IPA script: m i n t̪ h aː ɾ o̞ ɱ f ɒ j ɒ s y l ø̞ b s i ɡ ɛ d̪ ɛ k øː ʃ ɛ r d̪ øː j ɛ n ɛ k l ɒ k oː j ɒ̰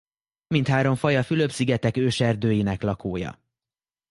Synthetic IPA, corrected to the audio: m i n t̪ h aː ɾ o̞ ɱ f ɒ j ɒ f y l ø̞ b s i ɡ ɛ t̪ ɛ k øː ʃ ɛ r d̪ øː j i n ɛ k l ɒ k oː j ɒ̰